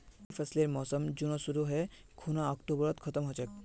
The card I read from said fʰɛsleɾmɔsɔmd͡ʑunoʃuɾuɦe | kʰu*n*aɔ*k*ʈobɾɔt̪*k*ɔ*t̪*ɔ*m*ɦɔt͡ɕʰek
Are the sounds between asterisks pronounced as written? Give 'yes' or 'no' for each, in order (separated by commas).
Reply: yes, yes, no, yes, yes